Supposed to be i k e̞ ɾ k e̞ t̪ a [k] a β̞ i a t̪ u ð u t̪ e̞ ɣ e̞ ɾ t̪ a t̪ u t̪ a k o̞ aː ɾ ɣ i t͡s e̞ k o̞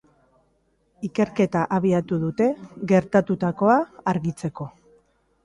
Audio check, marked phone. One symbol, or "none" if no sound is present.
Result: ʔ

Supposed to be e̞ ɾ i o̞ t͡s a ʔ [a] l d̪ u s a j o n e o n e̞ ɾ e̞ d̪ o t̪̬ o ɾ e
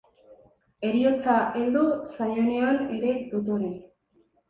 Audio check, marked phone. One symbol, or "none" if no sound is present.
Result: e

